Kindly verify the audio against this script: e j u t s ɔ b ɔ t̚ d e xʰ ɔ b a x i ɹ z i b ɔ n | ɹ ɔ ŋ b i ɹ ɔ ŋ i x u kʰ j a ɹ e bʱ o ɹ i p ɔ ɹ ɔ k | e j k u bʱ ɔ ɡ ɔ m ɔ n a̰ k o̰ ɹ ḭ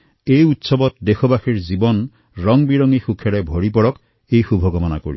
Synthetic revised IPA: e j u t s ɔ b ɔ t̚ d e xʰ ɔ b a x i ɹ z i b ɔ n | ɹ ɔ ŋ b i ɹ ɔ ŋ i x u kʰ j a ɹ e bʱ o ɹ i p ɔ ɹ ɔ k | e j x u bʱ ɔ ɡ ɔ m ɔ n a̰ k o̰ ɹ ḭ